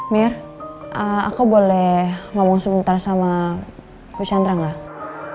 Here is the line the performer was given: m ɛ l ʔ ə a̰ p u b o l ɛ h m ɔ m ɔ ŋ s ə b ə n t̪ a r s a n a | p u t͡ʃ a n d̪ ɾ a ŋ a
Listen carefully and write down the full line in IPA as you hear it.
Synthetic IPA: m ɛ r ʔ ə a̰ k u b o l ɛ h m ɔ m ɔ ŋ s ə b ə n t̪ a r s a m a | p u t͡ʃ a n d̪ ɾ a ŋ a